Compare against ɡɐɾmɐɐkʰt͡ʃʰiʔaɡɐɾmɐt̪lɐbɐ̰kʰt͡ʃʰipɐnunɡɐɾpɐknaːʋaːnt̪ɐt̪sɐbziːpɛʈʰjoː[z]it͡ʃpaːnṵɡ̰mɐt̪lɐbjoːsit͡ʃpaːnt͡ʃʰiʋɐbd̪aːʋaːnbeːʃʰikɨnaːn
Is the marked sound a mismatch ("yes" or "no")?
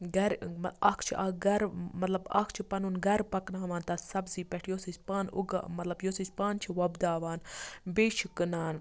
yes